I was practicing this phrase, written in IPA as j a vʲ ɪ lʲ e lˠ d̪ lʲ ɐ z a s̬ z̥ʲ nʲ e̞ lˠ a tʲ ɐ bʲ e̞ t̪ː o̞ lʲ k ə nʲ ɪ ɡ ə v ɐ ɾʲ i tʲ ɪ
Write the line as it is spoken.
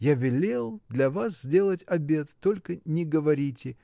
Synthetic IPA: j a vʲ ɪ lʲ e lˠ d̪ lʲ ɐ v a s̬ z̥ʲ dʲ e̞ lˠ ə tʲ ɐ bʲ e̞ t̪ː o̞ lʲ k ə nʲ ɪ ɡ ə v ɐ ɾʲ i tʲ ɪ